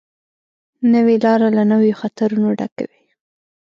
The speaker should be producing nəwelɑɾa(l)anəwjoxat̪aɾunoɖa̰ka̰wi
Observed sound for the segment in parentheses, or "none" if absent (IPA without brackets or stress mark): l